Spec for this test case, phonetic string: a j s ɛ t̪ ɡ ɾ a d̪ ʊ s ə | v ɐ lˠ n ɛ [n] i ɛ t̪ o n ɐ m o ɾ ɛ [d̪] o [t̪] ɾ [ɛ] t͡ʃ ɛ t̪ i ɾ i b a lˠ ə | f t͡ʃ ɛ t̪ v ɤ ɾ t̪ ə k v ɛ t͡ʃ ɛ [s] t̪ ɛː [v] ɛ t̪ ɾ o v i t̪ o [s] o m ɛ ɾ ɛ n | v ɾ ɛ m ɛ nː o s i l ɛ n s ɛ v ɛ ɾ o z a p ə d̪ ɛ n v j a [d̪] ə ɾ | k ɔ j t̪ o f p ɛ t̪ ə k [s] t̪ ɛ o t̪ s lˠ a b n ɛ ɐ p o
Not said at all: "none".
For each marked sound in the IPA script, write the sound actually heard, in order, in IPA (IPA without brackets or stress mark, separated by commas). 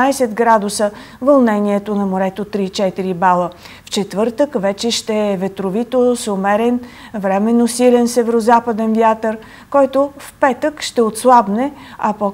n, t̪, t̪, i, ʃ, v, s, t̪, ʃ